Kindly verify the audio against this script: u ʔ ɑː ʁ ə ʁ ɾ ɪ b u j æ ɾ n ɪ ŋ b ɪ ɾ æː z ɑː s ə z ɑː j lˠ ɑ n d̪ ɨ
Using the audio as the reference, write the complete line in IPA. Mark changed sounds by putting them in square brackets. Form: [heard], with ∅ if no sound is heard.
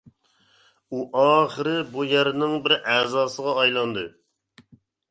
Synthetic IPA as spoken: u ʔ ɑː [χ] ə [∅] ɾ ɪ b u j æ ɾ n ɪ ŋ b ɪ ɾ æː z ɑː s ə [ʁ] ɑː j lˠ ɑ n d̪ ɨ